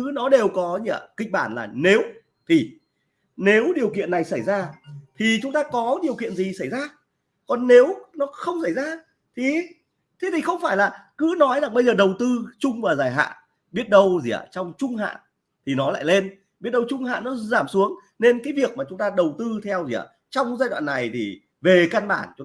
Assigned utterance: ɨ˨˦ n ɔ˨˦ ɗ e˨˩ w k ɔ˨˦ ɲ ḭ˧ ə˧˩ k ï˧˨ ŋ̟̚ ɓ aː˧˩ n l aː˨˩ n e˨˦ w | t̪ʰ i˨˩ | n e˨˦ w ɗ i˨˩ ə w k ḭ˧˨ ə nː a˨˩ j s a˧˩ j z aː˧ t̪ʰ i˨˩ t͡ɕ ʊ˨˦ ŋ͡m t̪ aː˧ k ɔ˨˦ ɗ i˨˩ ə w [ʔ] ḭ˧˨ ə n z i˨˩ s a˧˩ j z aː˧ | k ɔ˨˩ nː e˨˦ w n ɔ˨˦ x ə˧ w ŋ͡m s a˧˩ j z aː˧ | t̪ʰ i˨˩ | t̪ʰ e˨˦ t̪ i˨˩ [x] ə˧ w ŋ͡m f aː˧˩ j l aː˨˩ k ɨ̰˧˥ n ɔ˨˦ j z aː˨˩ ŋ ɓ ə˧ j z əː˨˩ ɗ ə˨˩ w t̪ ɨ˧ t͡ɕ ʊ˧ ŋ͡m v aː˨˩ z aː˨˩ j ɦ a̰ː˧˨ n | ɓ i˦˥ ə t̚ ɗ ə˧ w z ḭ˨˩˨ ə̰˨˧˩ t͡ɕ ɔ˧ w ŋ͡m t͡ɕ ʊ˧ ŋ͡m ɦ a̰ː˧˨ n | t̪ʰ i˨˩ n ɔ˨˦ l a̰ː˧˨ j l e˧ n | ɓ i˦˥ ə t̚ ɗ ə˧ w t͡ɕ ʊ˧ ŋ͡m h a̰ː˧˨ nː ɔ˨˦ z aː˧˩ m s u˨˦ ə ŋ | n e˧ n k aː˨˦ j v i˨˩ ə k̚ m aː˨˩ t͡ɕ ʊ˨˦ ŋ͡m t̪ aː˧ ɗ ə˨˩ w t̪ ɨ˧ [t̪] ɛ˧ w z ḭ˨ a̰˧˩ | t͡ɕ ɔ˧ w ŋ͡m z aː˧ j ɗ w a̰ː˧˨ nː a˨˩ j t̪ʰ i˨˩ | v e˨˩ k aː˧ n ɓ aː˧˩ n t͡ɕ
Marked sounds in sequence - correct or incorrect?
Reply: incorrect: k, correct, incorrect: t̪ʰ

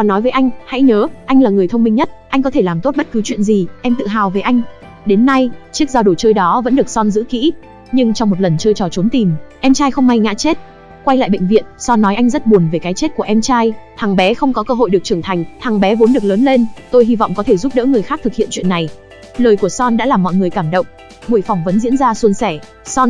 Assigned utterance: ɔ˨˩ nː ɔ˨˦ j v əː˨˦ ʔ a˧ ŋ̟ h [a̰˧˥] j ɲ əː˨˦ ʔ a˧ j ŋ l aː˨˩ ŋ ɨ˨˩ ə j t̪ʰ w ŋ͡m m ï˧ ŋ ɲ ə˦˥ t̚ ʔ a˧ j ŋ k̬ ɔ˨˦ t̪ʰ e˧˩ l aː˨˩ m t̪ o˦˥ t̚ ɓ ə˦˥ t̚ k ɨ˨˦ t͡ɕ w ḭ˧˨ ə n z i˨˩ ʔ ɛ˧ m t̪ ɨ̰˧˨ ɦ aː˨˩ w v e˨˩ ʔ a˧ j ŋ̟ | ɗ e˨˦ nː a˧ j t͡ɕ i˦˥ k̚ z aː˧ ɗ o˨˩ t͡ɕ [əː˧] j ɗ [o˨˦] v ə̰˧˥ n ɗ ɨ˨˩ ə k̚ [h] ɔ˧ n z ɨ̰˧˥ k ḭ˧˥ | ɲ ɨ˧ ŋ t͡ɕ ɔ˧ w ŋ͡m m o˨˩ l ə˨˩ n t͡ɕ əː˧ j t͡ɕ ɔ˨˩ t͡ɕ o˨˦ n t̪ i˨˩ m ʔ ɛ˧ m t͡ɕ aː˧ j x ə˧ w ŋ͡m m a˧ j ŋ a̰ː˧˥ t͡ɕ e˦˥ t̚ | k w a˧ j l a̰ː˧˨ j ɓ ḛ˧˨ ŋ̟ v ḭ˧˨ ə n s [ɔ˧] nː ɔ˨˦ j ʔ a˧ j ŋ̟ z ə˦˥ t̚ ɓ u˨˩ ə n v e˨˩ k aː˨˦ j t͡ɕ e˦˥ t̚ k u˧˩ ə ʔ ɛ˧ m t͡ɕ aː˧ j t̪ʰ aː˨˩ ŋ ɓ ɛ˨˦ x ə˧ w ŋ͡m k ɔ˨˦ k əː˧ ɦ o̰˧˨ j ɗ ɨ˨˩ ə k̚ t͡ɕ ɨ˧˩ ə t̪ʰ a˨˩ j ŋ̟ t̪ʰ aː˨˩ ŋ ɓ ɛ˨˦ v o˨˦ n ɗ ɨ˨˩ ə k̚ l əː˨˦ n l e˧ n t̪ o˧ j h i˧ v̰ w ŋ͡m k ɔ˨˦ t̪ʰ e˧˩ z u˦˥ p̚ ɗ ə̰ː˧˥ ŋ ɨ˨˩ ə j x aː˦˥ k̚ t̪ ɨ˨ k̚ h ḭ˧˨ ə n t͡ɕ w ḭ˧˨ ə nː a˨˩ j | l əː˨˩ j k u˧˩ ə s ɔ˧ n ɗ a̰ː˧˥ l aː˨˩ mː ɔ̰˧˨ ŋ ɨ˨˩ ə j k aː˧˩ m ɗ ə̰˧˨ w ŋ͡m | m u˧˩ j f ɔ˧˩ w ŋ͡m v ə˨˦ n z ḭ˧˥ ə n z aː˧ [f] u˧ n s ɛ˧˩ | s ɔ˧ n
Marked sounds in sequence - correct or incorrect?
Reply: correct, correct, incorrect: ɔ˨˦, incorrect: s, correct, incorrect: s

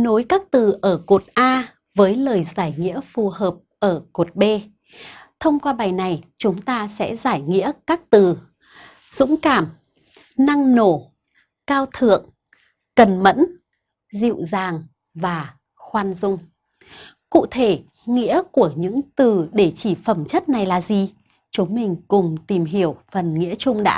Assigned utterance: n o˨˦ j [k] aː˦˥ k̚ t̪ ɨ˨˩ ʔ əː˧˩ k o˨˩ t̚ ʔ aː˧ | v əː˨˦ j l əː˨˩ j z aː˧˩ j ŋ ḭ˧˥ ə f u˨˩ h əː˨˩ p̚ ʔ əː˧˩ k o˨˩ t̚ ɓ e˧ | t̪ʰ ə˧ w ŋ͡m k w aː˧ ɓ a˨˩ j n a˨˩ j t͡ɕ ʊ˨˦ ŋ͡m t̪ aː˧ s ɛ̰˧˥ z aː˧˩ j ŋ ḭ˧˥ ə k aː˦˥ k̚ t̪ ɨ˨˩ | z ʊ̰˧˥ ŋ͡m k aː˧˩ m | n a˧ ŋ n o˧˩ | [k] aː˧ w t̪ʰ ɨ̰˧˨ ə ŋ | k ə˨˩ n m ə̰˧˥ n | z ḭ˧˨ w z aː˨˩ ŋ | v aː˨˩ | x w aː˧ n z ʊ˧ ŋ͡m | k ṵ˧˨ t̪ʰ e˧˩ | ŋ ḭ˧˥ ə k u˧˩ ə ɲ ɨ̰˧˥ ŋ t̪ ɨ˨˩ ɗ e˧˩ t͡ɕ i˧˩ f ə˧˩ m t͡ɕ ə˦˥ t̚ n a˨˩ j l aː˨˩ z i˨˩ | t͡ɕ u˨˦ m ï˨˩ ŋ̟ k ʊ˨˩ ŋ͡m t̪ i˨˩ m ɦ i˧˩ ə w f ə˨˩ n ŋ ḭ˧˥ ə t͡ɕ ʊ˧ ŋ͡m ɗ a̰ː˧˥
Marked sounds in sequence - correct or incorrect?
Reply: correct, correct

